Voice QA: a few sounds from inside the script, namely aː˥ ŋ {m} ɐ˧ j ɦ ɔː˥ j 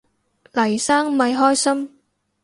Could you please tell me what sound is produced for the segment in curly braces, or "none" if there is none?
m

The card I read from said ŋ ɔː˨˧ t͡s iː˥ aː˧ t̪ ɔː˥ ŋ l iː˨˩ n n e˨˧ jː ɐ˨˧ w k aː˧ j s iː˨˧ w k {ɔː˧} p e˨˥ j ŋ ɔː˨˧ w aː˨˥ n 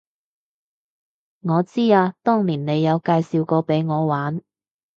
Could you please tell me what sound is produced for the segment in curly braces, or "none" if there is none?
ɔː˧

